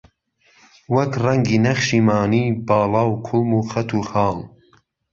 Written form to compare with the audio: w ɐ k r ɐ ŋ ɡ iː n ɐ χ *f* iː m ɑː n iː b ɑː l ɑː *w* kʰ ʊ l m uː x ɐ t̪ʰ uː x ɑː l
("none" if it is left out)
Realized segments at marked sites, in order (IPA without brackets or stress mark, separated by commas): ʃ, w